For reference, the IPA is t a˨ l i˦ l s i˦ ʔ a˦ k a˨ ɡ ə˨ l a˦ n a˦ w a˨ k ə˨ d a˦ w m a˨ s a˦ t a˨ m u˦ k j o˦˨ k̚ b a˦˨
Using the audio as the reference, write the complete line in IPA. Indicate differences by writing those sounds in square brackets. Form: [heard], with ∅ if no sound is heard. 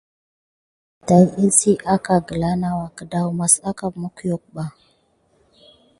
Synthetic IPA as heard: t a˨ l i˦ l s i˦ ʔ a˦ k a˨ ɡ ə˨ l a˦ n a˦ w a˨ k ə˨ d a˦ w m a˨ s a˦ [k] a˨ m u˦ k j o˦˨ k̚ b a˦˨